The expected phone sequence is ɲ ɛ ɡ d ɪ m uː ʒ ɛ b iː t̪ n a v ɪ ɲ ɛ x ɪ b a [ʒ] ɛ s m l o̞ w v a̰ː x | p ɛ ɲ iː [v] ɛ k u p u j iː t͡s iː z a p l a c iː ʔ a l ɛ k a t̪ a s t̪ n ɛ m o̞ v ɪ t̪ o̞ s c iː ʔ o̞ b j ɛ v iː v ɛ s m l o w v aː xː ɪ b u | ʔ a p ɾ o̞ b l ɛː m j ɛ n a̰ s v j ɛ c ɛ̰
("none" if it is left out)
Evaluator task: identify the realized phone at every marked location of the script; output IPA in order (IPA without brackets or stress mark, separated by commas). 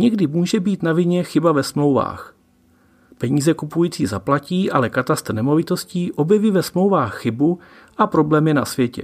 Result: v, z